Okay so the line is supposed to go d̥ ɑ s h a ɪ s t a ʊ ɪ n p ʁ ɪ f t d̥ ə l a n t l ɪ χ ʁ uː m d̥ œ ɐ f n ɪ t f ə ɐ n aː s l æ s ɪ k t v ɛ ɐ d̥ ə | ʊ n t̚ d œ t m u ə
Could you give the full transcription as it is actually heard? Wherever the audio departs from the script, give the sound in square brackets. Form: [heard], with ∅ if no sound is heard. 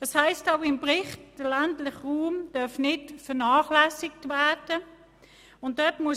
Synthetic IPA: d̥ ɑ s h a ɪ s t a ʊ ɪ [m] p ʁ ɪ [χ] t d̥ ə l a n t l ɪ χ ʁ uː m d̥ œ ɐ f n ɪ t f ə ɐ n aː [χ] l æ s ɪ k t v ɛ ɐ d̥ ə | ʊ n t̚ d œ t m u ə